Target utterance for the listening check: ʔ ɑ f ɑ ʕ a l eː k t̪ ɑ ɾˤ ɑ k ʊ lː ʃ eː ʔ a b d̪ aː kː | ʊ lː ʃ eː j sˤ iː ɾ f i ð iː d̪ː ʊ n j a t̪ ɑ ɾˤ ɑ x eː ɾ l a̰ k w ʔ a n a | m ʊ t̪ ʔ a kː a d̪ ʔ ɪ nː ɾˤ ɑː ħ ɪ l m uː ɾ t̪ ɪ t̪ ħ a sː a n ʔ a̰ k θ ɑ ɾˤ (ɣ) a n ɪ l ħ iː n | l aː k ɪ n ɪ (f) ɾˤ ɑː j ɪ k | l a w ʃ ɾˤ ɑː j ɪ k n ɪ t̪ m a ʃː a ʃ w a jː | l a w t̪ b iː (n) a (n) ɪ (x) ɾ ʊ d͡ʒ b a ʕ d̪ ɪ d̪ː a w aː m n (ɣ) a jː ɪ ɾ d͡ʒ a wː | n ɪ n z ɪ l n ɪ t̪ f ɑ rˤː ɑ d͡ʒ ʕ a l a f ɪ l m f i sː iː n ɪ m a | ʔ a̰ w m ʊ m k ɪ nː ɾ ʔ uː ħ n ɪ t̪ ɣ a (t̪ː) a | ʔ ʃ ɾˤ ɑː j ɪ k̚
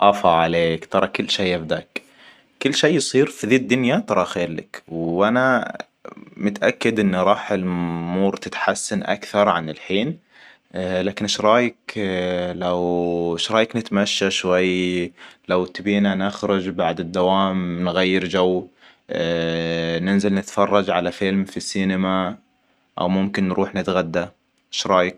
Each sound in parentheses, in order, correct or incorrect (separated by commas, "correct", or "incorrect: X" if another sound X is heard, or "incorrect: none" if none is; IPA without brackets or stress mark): incorrect: ʕ, incorrect: ʃ, correct, correct, correct, correct, incorrect: d̪ː